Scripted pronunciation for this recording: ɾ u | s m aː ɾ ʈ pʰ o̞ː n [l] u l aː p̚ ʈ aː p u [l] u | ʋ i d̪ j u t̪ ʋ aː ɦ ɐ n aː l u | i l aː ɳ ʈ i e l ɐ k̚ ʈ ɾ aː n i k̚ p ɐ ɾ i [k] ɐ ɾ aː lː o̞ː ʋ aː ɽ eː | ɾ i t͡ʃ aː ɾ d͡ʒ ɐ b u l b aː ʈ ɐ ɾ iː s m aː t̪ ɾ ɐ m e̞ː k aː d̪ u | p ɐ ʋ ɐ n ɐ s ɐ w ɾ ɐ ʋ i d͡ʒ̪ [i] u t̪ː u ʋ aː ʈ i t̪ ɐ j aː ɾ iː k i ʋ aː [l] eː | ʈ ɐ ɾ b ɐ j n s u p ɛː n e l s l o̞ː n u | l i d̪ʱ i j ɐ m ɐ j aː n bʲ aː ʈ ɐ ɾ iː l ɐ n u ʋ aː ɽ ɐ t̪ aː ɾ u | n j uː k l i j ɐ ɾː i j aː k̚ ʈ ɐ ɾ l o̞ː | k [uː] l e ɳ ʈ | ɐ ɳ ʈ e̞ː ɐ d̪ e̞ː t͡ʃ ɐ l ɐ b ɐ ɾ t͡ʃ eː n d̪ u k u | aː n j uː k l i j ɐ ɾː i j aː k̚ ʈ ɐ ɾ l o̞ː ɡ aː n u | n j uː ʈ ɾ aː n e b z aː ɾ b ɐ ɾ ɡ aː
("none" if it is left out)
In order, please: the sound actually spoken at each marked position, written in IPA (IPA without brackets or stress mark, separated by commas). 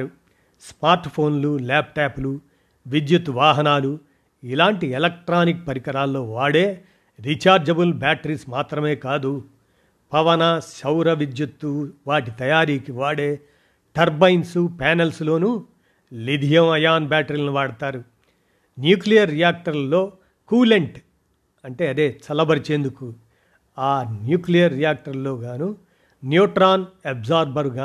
l, l, k, j, ɽ, uː